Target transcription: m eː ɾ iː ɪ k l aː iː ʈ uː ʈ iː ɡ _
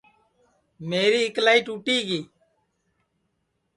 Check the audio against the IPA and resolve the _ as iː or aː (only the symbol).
iː